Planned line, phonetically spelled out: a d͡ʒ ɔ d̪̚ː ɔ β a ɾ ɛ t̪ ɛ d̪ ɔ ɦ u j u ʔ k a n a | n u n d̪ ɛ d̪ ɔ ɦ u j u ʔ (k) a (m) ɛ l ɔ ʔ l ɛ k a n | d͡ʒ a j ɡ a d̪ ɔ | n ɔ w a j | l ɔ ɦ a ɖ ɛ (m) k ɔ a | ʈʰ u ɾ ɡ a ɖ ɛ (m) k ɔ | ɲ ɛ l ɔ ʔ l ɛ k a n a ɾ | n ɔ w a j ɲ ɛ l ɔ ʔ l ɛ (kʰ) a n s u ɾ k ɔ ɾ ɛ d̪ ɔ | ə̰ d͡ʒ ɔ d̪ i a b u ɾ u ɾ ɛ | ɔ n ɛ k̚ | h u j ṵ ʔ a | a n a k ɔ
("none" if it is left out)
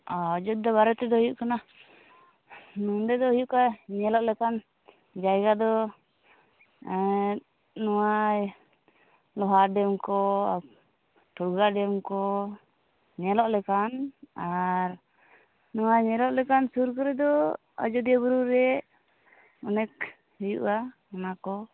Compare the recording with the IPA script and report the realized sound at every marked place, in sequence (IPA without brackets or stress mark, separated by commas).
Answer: k, ɲ, m, m, k